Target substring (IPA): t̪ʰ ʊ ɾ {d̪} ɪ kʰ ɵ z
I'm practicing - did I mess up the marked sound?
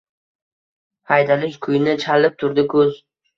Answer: no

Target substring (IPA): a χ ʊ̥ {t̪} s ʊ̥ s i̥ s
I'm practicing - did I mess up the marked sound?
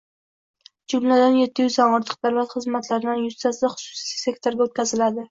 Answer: yes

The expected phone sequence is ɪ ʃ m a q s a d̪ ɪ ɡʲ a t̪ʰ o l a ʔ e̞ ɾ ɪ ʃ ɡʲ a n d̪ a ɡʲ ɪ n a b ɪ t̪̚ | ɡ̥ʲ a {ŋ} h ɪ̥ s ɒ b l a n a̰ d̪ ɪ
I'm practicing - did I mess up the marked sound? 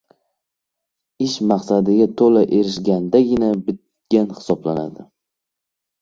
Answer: yes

